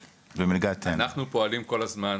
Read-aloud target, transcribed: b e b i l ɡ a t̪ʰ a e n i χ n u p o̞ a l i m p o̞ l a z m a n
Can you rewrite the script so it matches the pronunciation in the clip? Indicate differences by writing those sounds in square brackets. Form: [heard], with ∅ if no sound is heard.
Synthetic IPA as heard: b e [m] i l ɡ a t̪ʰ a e n [a] χ n u p o̞ a l i m [k] o̞ l a z m a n